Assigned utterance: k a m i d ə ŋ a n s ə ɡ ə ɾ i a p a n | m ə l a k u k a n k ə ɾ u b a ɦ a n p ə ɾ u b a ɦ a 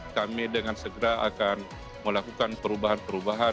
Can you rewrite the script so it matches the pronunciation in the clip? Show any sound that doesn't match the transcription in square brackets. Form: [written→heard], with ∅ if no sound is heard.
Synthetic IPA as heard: k a m i d ə ŋ a n s ə ɡ ə ɾ [i→a] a [p→k] a n | m ə l a k u k a n [k→p] ə ɾ u b a ɦ a n p ə ɾ u b a ɦ a